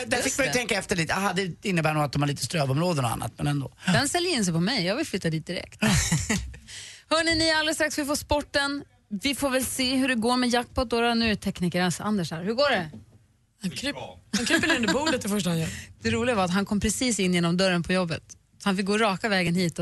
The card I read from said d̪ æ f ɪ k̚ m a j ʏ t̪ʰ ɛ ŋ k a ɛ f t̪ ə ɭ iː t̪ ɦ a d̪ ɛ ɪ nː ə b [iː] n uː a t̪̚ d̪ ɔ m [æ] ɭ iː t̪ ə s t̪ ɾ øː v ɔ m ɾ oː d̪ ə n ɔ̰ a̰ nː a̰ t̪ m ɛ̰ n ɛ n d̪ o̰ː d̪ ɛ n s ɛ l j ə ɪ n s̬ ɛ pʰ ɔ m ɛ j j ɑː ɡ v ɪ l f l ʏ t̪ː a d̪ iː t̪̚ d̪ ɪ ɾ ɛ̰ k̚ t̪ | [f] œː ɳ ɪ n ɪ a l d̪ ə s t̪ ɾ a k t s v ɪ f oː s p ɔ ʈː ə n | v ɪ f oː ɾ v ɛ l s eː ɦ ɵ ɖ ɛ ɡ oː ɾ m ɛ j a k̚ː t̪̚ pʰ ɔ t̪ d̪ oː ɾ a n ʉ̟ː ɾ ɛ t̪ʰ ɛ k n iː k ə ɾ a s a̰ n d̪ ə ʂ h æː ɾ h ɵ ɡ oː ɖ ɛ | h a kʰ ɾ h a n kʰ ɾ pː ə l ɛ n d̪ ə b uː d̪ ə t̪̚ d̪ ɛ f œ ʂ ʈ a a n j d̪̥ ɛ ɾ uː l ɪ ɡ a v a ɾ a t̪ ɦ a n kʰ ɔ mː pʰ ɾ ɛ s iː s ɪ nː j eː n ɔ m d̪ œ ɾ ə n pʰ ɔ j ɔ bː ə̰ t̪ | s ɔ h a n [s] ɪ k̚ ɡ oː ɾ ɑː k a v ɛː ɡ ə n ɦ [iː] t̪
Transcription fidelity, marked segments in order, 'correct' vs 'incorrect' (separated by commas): incorrect, incorrect, incorrect, incorrect, correct